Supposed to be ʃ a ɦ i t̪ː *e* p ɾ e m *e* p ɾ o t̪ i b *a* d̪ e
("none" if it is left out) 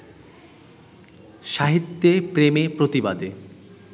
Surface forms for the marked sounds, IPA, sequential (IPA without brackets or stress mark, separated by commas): e, e, a